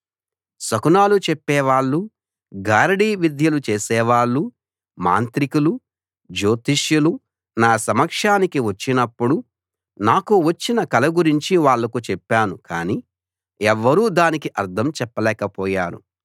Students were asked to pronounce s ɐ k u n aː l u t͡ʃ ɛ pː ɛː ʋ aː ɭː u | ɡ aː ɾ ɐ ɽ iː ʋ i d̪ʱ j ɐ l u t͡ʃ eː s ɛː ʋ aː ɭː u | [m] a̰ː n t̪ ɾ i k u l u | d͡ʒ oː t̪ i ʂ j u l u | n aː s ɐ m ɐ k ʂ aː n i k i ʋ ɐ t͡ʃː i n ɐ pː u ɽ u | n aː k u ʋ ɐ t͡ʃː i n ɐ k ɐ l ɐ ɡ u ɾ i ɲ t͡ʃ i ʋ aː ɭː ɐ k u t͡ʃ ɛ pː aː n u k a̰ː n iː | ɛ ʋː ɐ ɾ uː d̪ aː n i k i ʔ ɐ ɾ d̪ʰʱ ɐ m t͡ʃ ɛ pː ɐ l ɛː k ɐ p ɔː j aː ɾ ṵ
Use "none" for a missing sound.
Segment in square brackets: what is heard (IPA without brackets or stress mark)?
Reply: m